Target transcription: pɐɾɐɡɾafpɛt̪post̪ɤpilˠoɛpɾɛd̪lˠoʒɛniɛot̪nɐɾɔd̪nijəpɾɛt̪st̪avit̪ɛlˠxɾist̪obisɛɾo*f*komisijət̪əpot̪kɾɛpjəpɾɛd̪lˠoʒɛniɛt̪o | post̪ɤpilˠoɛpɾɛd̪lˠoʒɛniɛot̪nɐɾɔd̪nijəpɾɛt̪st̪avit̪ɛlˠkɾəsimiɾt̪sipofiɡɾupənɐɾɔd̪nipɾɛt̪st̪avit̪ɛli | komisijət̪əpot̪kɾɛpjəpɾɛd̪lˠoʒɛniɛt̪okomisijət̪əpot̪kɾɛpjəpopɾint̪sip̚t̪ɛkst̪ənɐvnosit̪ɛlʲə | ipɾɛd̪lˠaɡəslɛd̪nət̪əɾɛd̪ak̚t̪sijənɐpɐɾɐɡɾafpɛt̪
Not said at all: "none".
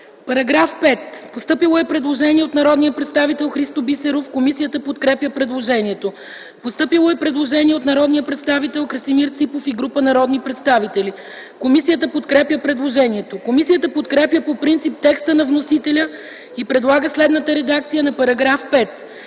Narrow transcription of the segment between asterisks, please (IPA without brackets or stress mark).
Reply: f